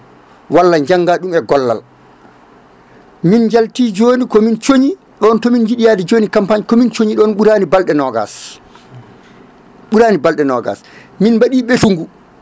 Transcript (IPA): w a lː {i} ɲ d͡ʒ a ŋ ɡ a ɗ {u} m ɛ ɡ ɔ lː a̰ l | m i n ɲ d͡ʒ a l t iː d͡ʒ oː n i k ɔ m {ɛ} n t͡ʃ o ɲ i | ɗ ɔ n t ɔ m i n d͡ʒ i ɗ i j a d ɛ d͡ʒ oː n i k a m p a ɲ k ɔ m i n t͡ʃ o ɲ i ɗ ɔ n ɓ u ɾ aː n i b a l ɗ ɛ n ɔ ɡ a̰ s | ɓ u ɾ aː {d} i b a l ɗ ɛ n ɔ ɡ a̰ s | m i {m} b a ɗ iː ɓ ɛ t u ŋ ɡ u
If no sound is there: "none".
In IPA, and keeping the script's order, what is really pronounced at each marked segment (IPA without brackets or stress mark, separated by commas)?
a, u, i, n, n